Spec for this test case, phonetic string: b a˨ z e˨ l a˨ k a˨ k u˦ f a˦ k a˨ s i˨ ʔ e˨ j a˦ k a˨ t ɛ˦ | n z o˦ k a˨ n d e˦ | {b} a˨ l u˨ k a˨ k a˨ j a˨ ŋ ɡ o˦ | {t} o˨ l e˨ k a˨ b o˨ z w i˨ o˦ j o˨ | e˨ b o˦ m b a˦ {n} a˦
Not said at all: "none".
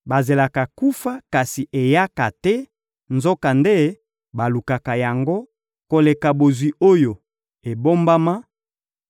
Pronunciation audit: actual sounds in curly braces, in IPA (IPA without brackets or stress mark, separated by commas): b, k, m